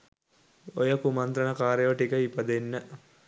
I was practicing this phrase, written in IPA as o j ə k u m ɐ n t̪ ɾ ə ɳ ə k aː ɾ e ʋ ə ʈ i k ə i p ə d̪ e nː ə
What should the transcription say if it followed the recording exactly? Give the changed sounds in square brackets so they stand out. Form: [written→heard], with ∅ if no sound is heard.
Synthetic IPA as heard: o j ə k u m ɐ n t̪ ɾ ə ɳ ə k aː ɾ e ʋ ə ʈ i k ə i p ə d̪ e nː ə